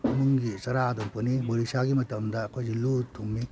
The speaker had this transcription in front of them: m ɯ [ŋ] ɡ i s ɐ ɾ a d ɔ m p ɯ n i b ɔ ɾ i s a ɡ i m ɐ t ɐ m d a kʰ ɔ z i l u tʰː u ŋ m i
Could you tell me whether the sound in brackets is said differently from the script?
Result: no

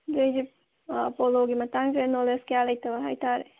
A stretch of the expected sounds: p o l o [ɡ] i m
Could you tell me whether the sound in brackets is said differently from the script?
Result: no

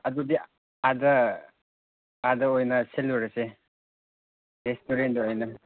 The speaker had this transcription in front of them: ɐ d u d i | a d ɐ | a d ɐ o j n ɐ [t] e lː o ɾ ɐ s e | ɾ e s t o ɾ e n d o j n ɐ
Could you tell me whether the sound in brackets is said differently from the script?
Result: yes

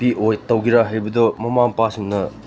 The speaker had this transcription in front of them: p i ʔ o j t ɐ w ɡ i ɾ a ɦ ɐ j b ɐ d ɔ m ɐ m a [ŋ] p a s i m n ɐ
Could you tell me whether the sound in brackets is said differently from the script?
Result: no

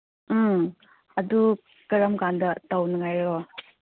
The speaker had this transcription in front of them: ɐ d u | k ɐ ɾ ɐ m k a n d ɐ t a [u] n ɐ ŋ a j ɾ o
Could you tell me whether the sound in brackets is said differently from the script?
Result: yes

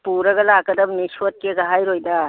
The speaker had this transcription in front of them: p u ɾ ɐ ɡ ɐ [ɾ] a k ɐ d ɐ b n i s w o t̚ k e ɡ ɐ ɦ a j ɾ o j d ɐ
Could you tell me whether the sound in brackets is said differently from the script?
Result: yes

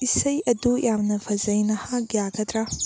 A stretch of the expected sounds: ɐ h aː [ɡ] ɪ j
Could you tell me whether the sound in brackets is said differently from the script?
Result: no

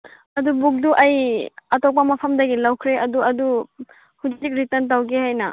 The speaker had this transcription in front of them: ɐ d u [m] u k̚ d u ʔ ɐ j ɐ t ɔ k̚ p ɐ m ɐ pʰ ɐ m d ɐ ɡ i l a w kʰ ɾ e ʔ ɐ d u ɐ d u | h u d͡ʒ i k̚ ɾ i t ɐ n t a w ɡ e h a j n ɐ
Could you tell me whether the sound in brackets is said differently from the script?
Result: yes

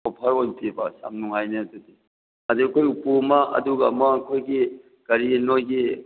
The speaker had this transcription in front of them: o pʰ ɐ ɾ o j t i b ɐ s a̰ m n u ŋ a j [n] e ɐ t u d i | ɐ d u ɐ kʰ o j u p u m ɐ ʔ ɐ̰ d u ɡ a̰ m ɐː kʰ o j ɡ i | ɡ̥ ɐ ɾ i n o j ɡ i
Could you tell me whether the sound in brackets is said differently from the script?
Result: no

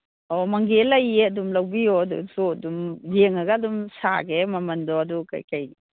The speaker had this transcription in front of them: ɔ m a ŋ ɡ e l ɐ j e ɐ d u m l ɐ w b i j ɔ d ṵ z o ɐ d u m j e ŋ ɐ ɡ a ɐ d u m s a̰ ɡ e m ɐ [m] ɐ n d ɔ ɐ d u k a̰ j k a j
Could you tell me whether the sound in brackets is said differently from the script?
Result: no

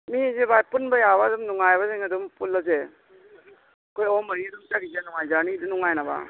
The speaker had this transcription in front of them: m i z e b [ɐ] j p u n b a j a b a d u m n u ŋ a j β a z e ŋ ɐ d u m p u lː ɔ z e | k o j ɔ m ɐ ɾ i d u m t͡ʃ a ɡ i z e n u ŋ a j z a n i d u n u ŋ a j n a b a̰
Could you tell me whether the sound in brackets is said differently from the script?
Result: yes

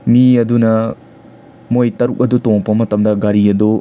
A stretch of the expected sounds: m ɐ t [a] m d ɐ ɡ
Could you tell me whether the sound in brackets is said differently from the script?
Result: yes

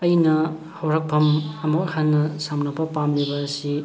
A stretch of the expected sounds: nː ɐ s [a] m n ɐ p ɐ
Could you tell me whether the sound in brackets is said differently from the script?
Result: no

